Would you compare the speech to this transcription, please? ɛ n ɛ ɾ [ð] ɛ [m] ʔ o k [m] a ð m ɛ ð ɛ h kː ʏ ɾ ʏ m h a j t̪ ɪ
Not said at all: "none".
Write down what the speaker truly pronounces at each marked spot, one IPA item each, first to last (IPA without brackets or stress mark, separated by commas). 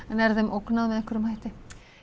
ð, m, n